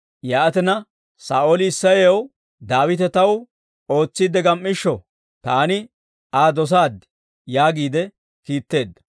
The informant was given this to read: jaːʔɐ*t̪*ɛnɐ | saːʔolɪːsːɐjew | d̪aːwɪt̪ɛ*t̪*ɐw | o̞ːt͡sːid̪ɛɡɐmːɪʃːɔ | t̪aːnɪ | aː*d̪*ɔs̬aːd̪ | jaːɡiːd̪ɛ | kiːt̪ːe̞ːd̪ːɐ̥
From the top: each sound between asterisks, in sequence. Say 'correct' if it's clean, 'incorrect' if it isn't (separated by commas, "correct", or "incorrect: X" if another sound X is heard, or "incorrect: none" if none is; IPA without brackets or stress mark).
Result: correct, correct, correct